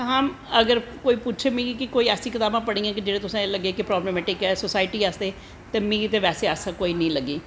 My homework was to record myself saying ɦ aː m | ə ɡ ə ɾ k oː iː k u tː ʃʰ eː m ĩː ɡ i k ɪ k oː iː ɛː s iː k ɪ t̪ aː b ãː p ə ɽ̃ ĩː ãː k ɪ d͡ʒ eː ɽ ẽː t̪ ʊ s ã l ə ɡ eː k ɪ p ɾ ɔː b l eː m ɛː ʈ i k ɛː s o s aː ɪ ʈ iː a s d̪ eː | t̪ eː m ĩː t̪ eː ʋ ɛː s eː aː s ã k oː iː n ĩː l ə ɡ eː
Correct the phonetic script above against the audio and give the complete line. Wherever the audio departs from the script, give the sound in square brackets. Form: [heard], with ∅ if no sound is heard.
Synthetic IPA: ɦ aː m | ə ɡ ə ɾ k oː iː [p] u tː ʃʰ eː m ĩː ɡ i k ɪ k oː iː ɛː s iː k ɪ t̪ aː b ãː p ə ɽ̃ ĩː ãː k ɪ d͡ʒ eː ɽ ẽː t̪ ʊ s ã l ə ɡ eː k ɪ p ɾ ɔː b l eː m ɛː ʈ [ɪ] k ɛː s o s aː ɪ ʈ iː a s d̪ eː | t̪ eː m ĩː t̪ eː ʋ ɛː s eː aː s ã k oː iː n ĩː l ə ɡ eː